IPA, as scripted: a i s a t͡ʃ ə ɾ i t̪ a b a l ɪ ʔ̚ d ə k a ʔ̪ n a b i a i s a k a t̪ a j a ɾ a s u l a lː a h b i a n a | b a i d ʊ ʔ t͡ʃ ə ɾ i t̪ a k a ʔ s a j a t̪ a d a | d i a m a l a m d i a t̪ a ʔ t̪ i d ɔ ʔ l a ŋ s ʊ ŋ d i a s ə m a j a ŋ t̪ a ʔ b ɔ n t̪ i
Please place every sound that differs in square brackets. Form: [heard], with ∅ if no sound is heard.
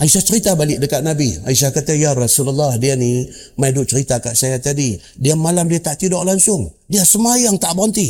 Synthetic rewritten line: a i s a t͡ʃ ə ɾ i t̪ a b a l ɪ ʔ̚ d ə k a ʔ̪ n a b i a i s a k a t̪ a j a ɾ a s u l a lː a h [d] i a n [i] | [m] a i d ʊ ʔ t͡ʃ ə ɾ i t̪ a k a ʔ s a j a t̪ a d [i] | d i a m a l a m d i a t̪ a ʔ t̪ i d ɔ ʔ l a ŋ s ʊ ŋ d i a s ə m a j a ŋ t̪ a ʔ b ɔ n t̪ i